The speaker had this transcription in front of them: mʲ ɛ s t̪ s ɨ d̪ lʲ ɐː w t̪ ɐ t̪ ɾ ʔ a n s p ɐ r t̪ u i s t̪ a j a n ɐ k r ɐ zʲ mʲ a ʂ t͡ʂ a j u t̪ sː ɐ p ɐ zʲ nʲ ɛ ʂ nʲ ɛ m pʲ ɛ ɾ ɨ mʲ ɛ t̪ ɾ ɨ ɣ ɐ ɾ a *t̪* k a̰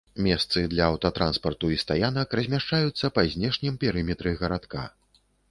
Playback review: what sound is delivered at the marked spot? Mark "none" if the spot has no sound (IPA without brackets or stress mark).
t̪